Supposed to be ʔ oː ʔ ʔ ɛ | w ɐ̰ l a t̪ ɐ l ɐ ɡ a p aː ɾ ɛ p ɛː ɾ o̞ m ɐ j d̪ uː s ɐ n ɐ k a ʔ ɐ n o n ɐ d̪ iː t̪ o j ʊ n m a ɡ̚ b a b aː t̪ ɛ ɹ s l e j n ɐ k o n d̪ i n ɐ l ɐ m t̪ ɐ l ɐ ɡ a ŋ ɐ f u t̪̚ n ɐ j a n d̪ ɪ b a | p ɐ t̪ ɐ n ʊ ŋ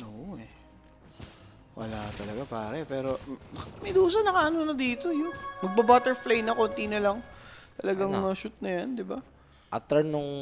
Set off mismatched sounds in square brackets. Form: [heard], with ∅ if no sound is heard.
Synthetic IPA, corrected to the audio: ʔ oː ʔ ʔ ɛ | w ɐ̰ l a t̪ ɐ l ɐ ɡ a p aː ɾ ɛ p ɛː ɾ o̞ m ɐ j d̪ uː s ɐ n ɐ k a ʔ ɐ n o n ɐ d̪ iː t̪ o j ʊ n m [ɐ] ɡ̚ b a b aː t̪ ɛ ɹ [f] l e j n ɐ k o n [t̪] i n ɐ l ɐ [ŋ] t̪ ɐ l ɐ ɡ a ŋ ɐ [ʃ] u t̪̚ n ɐ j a n d̪ ɪ b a | [ʔ] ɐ t̪ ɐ n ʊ ŋ